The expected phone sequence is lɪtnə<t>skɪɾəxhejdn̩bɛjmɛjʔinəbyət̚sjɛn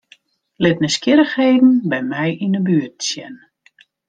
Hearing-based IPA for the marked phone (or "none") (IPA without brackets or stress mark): none